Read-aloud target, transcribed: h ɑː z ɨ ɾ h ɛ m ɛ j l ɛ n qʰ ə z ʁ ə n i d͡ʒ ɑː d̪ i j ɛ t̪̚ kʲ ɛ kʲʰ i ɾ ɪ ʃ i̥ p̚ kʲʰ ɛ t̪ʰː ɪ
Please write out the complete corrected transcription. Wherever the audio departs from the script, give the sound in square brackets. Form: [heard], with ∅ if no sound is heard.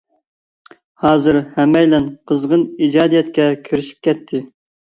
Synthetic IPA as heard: h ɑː z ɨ ɾ h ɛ m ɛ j l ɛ n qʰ ə z ʁ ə n i d͡ʒ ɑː d̪ i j ɛ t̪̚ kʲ ɛ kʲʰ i ɾ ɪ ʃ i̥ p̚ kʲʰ ɛ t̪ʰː ɪ